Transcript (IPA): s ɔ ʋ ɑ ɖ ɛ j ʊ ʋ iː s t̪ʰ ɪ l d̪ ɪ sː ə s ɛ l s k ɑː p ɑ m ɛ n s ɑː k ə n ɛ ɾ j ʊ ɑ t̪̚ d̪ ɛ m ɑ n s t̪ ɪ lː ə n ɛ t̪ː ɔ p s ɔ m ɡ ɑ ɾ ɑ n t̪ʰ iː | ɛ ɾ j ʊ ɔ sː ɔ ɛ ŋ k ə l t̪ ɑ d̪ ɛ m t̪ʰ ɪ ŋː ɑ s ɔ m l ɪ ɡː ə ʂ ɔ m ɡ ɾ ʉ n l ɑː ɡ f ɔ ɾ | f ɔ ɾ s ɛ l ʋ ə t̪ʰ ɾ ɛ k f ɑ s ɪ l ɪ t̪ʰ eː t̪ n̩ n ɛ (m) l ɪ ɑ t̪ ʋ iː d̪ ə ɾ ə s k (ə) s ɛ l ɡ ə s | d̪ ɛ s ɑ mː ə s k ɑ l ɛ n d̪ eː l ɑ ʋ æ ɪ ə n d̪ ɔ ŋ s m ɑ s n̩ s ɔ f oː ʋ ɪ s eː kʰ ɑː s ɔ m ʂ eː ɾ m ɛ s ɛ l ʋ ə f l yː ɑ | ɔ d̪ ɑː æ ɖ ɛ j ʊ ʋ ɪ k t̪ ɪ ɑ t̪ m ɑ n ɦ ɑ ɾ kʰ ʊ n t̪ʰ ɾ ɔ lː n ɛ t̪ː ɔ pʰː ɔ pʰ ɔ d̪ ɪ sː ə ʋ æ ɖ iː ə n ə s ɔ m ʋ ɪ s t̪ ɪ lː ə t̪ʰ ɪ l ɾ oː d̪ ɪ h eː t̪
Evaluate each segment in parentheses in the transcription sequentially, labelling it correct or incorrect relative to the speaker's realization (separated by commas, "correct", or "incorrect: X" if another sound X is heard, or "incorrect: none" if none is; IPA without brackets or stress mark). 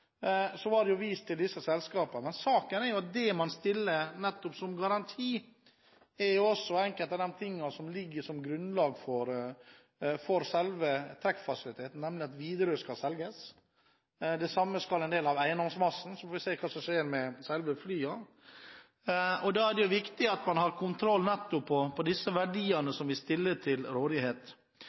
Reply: correct, incorrect: ɑ